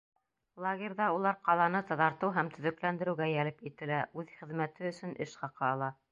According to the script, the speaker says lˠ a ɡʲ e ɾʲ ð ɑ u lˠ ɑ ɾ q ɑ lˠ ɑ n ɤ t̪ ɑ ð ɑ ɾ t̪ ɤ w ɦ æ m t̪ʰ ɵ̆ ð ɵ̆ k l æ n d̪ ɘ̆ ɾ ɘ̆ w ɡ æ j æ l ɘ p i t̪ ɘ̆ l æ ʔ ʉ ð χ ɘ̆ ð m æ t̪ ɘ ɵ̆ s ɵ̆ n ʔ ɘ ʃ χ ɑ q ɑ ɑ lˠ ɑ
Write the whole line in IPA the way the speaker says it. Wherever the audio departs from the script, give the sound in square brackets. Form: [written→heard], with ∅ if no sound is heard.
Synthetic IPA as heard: lˠ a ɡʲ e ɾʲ ð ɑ u lˠ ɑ ɾ q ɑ lˠ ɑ n ɤ t̪ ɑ ð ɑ ɾ t̪ ɤ w ɦ æ m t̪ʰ ɵ̆ ð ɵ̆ k l æ n d̪ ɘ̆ ɾ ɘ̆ w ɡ æ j æ l ɘ p i t̪ ɘ̆ l æ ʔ ʉ ð χ ɘ̆ ð m æ t̪ ɘ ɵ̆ s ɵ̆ n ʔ ɘ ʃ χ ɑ q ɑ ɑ lˠ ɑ